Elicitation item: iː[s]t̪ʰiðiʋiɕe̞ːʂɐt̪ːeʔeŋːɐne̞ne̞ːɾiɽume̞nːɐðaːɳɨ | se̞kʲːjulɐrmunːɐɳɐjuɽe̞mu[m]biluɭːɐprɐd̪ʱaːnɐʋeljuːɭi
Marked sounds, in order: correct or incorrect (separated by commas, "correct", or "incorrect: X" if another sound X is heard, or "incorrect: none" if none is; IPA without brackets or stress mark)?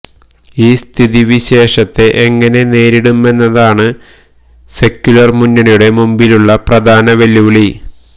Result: correct, correct